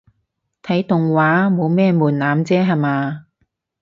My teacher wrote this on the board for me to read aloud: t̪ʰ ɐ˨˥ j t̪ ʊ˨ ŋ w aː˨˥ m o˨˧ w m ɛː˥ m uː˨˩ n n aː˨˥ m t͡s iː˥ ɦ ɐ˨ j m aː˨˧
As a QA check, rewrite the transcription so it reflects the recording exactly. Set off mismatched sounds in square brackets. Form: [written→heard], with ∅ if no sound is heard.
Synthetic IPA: t̪ʰ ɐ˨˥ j t̪ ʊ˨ ŋ w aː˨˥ m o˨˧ w m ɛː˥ m uː˨˩ n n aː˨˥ m t͡s [iː˥→ɛː˥] ɦ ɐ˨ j m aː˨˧